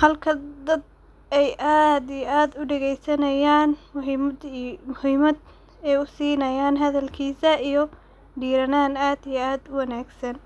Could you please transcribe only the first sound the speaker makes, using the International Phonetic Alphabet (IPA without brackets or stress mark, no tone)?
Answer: h